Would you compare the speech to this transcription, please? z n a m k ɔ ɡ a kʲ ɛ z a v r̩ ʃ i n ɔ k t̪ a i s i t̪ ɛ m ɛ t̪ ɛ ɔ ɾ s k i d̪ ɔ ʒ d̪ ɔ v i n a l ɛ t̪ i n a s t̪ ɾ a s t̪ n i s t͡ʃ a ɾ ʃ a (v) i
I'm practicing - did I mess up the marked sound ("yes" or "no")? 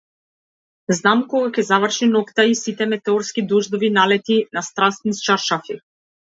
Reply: yes